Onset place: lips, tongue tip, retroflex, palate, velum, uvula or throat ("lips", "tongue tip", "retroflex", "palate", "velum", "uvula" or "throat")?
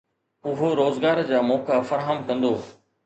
throat